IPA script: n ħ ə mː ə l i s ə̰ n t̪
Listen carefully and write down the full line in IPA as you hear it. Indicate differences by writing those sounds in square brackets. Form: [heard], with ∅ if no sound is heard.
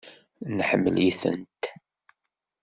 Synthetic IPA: n ħ ə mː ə l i [θ] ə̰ n t̪